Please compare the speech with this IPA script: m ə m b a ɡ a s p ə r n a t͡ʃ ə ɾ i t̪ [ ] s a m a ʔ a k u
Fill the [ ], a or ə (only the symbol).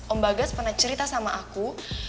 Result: a